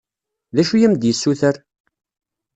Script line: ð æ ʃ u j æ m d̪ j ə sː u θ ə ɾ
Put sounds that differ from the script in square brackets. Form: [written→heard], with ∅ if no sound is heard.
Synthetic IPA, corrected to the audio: ð æ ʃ u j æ m d̪ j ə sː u θ ə ɾ

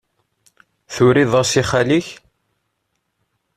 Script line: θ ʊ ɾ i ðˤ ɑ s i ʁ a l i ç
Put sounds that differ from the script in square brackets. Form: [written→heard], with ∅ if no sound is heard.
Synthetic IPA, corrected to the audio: θ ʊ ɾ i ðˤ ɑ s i [ʁ→χ] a l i ç

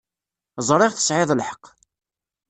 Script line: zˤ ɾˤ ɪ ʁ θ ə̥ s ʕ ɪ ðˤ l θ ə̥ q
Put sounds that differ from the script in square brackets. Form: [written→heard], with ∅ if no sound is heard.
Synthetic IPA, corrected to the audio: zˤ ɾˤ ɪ ʁ θ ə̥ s ʕ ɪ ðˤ l [θ→ħ] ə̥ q

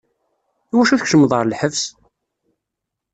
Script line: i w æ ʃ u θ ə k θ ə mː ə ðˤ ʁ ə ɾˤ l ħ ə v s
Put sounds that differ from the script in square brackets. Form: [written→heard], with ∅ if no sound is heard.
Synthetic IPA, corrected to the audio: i w æ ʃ u θ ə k [θ→ʃ] ə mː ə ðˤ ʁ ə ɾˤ l ħ ə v s

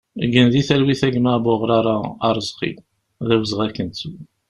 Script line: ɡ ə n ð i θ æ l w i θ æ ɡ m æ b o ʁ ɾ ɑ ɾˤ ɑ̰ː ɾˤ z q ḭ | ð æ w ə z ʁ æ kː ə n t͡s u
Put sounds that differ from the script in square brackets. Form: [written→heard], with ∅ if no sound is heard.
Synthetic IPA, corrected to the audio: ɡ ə n ð i θ æ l w i θ æ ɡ m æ b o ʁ ɾ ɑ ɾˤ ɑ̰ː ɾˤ z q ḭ | ð æ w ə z ʁ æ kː ə n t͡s u

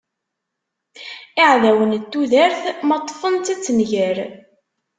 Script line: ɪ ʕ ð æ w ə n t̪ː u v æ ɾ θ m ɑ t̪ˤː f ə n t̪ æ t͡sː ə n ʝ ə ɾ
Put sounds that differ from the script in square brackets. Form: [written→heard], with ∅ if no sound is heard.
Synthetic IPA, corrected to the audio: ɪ ʕ ð æ w ə n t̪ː u [v→ð] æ ɾ θ m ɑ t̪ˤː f ə n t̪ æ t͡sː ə n ʝ ə ɾ

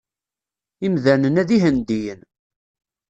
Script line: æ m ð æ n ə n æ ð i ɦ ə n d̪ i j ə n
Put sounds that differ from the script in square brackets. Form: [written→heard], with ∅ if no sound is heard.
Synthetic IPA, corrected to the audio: [æ→i] m ð æ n ə n æ ð i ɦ ə n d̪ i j ə n

